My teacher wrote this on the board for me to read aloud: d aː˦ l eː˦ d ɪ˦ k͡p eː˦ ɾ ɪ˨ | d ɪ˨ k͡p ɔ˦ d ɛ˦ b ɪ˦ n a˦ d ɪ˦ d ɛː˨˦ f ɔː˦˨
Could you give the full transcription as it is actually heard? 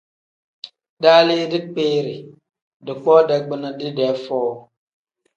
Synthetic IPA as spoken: d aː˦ l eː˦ d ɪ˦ k͡p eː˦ ɾ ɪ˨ | d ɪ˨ k͡p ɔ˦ d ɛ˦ ɡ͡b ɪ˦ n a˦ d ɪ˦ d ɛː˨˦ f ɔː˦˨